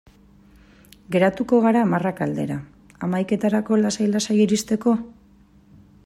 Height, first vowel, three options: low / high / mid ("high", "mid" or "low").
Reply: mid